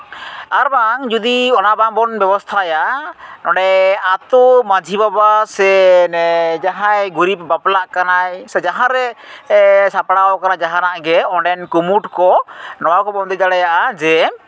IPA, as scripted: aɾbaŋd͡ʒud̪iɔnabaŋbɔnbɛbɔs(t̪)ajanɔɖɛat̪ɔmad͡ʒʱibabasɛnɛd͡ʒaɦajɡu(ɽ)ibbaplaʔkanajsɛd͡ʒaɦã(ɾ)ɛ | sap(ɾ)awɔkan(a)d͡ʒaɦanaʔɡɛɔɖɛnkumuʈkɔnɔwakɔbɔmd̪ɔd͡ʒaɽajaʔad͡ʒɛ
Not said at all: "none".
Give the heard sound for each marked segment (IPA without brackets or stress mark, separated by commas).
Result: t̪ʰ, ɾ, ɾ, ɽ, a